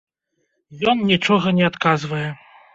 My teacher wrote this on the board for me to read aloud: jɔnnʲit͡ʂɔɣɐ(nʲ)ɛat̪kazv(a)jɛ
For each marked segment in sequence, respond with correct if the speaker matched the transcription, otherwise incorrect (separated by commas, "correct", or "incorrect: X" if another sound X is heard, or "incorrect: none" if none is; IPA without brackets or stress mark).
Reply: correct, incorrect: ɐ